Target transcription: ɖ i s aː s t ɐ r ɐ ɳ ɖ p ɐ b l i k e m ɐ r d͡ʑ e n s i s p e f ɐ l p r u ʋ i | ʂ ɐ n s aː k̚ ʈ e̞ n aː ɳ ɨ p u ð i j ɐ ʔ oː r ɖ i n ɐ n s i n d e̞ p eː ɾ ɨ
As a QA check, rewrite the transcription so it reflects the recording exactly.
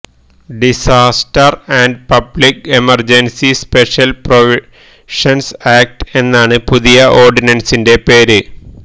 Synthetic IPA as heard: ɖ i s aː s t ɐ r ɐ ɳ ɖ p ɐ b l i k e m ɐ r d͡ʑ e n s i s p e ʂ ɐ l p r o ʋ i | ʂ ɐ n s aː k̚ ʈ e̞ nː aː ɳ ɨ p u ð i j ɐ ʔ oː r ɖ i n ɐ n s i n d e̞ p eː ɾ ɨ